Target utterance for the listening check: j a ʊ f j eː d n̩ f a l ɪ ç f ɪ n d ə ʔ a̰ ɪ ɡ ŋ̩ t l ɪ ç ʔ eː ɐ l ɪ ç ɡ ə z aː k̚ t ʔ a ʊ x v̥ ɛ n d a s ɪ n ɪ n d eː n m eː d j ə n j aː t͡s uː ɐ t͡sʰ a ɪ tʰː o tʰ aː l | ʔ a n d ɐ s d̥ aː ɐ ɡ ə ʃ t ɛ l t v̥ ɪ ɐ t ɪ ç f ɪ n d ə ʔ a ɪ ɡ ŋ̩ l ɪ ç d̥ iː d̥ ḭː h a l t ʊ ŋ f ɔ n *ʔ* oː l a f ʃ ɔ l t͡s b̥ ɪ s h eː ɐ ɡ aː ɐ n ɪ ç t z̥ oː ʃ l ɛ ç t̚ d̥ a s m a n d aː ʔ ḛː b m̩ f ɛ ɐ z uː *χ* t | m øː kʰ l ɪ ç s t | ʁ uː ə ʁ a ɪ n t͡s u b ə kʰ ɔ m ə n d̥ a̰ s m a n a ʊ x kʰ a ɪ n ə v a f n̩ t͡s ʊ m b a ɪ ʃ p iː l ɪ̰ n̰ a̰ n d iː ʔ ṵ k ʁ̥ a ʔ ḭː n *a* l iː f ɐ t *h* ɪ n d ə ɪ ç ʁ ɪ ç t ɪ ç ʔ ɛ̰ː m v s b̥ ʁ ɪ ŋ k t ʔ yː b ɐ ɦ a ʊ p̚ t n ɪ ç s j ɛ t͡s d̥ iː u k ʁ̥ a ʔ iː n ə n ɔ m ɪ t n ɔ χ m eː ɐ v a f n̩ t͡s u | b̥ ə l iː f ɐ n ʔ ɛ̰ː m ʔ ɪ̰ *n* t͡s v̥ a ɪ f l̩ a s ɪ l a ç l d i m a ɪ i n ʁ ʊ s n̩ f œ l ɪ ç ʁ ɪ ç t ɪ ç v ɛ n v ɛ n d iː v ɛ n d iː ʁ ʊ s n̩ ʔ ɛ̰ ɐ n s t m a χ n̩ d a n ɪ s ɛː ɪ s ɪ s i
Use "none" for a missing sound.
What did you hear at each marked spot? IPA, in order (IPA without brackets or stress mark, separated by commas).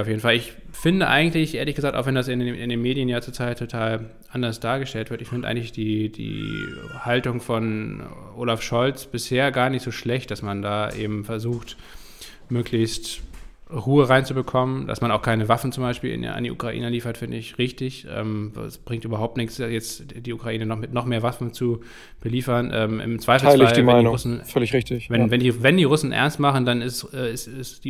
ʔ, x, ə, f, m